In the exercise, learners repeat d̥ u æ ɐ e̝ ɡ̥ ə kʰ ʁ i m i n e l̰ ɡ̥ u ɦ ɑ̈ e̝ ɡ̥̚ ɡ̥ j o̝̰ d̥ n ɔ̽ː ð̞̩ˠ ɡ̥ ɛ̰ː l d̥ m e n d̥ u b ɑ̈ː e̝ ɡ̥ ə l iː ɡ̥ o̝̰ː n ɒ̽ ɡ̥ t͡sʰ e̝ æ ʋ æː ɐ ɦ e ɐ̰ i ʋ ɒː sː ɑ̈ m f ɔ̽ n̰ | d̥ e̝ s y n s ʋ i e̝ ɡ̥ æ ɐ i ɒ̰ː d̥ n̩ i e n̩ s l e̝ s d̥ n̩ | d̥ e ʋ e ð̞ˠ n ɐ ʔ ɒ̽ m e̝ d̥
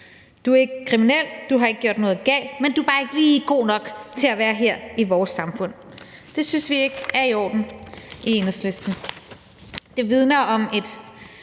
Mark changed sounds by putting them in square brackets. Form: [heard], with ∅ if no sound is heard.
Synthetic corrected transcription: d̥ u æ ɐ e̝ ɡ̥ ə kʰ ʁ i m i n e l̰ [d̥] u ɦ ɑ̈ e̝ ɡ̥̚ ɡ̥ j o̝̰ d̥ n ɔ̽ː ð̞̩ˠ ɡ̥ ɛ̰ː l d̥ m e n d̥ u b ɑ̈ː e̝ ɡ̥ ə l iː ɡ̥ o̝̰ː n ɒ̽ ɡ̥ t͡sʰ e̝ æ ʋ æː ɐ ɦ e ɐ̰ i ʋ ɒː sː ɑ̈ m f ɔ̽ n̰ | d̥ e̝ s y n s ʋ i e̝ ɡ̥ æ ɐ i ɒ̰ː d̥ n̩ i e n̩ s l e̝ s d̥ n̩ | d̥ e ʋ [i] ð̞ˠ n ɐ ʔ ɒ̽ m e̝ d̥